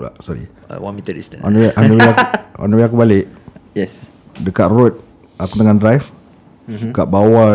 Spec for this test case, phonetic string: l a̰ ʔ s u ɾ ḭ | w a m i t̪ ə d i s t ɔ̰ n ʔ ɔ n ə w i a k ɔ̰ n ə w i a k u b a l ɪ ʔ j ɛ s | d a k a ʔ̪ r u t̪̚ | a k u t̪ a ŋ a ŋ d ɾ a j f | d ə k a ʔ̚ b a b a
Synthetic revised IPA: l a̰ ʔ s ɔ ɾ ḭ | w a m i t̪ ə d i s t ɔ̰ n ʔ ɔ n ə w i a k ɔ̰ n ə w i a k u b a l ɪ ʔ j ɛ s | d ə k a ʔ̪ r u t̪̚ | a k u t̪ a ŋ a n d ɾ a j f | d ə k a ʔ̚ b a w a